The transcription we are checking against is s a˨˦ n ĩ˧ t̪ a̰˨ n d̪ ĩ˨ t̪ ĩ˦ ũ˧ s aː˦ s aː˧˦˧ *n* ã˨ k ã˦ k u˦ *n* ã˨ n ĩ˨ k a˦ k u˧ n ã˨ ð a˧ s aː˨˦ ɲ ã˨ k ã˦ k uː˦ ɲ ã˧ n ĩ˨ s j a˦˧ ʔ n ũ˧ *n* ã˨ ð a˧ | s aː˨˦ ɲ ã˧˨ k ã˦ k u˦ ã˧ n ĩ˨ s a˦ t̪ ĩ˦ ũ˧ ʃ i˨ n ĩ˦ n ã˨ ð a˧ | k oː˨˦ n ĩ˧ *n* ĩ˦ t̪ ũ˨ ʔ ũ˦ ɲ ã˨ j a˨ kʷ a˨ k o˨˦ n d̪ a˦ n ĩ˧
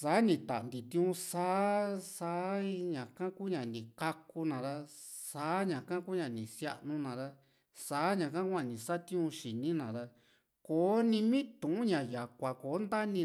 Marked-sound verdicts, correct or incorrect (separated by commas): incorrect, incorrect, correct, incorrect